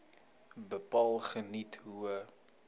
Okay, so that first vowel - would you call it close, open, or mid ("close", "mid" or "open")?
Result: mid